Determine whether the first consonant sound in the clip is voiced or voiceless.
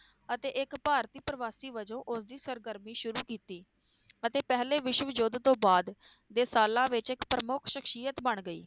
voiceless